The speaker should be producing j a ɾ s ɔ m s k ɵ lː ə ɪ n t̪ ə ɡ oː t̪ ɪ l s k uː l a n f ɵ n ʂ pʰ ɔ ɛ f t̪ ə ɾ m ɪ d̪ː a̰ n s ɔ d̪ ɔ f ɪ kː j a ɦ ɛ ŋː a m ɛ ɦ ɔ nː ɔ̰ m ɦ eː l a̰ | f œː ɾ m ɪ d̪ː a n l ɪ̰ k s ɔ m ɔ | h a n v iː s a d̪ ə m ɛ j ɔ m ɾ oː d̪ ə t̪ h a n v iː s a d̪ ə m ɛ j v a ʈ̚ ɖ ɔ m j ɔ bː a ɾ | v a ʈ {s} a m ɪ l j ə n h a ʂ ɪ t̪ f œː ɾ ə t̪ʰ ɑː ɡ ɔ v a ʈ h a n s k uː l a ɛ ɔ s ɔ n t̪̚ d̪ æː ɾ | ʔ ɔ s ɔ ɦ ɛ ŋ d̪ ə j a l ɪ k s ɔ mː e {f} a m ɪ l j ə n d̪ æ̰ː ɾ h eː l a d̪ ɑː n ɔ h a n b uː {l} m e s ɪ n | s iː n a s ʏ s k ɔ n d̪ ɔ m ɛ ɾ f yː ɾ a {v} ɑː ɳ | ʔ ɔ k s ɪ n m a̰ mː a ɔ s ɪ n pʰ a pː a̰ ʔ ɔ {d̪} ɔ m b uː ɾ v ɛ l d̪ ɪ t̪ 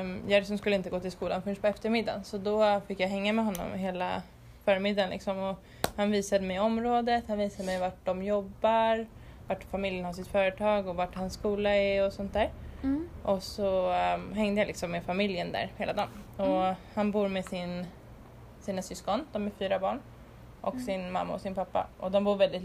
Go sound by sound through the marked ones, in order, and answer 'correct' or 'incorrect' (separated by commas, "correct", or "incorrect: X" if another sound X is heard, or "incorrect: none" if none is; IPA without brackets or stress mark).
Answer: incorrect: f, correct, incorrect: ɾ, incorrect: b, correct